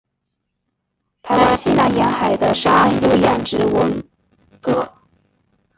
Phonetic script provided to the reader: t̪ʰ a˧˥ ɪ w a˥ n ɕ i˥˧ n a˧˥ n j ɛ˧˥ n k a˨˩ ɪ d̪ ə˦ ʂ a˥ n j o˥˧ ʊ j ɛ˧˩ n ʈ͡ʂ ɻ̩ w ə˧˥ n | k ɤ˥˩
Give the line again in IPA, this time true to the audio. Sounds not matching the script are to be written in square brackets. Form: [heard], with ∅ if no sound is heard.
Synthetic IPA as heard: t̪ʰ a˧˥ ɪ w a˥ n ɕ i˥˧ n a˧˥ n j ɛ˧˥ n [x] a˨˩ ɪ d̪ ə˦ ʂ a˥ n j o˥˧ ʊ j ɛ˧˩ n ʈ͡ʂ ɻ̩ w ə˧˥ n | k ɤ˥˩